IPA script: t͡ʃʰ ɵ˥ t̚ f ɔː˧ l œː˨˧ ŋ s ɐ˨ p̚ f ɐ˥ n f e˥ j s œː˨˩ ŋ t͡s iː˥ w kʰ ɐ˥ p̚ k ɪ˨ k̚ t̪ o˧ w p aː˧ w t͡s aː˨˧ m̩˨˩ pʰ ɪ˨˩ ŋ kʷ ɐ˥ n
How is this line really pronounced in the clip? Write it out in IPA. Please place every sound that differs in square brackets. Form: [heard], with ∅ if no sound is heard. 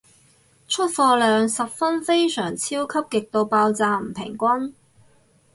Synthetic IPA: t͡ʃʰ ɵ˥ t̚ f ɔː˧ l œː˨˧ ŋ s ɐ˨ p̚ f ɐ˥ n f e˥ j s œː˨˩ ŋ [t͡sʰ] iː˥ w kʰ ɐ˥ p̚ k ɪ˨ k̚ t̪ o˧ w p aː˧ w t͡s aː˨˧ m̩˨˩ pʰ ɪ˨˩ ŋ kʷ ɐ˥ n